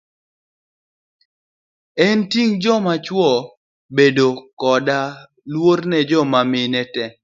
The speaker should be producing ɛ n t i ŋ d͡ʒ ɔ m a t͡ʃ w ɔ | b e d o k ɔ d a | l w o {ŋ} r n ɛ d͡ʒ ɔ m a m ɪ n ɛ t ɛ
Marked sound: incorrect: none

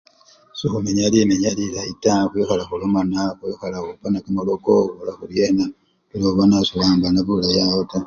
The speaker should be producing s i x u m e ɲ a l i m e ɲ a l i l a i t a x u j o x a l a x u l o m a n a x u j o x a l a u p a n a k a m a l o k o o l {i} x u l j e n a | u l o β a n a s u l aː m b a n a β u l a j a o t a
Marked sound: incorrect: a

